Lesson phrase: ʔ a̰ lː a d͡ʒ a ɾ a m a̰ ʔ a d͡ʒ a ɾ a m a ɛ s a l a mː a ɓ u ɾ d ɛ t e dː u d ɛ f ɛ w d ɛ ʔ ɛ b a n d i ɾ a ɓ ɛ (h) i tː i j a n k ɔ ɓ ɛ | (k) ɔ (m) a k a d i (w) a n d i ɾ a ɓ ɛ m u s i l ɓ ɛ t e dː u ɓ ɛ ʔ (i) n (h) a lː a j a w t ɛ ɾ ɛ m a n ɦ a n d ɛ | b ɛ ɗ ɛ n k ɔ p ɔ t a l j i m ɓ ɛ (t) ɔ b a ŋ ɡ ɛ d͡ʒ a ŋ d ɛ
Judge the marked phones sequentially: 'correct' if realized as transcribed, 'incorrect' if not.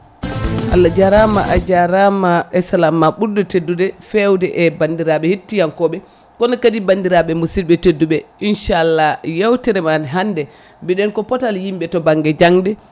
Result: correct, correct, incorrect, incorrect, correct, incorrect, correct

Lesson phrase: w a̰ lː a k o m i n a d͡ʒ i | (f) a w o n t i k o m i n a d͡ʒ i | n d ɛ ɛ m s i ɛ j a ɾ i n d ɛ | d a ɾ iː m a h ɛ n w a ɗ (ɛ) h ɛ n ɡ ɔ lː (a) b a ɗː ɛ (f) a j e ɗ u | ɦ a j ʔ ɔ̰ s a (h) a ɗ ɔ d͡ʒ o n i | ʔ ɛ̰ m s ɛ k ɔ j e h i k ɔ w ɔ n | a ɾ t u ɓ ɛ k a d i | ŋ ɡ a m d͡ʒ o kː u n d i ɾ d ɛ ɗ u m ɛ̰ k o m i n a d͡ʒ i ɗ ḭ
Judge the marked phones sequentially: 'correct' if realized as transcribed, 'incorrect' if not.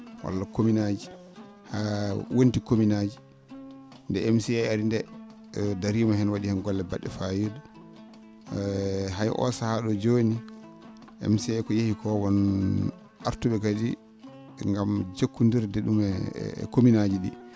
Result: incorrect, incorrect, incorrect, correct, correct

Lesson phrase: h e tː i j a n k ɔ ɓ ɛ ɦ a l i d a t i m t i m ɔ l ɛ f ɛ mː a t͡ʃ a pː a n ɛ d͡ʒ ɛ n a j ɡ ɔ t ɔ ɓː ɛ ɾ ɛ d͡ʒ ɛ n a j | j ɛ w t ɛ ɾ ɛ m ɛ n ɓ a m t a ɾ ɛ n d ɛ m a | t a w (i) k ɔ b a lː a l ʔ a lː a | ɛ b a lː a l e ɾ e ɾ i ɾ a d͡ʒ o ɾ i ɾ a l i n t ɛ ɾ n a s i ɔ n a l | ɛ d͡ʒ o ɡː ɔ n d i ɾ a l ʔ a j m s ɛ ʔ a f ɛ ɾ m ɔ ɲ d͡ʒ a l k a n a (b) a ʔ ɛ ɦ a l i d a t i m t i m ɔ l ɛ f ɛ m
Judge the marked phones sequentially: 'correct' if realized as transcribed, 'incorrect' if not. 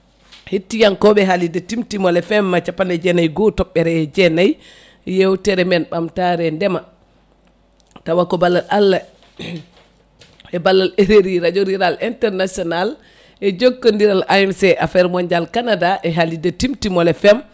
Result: incorrect, incorrect

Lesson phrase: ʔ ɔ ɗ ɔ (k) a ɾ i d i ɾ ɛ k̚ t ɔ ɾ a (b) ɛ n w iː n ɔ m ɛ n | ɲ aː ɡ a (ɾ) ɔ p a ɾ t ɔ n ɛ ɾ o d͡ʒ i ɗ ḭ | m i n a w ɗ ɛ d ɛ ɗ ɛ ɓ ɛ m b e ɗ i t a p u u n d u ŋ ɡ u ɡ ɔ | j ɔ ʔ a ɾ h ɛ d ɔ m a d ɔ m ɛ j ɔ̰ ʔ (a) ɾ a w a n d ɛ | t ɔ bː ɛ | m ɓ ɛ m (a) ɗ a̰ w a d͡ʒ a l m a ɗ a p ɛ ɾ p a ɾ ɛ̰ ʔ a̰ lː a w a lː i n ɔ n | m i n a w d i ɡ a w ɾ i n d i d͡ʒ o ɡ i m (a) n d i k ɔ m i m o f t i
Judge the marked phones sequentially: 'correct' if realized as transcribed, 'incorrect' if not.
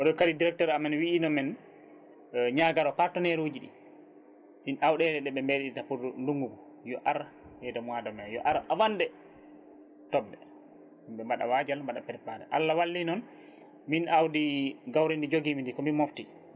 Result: correct, incorrect, correct, correct, correct, incorrect

